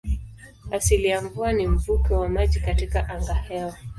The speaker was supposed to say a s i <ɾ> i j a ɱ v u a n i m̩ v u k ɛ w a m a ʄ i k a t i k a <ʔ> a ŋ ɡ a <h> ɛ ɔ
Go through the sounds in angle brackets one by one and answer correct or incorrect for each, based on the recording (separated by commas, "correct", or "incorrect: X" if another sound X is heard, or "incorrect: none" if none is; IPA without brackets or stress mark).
incorrect: l, correct, correct